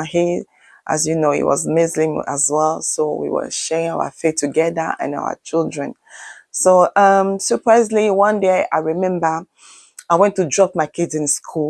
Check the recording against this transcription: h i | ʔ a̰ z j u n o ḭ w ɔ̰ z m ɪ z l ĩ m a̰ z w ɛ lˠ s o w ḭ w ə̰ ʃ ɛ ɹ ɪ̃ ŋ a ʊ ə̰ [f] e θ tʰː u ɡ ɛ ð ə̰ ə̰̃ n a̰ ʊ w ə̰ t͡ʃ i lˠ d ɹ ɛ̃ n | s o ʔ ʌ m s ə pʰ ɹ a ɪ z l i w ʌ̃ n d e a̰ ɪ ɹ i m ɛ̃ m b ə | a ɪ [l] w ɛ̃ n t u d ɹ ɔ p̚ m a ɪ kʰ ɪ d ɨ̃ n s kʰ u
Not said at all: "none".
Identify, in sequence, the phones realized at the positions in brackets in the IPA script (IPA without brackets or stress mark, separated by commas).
f, none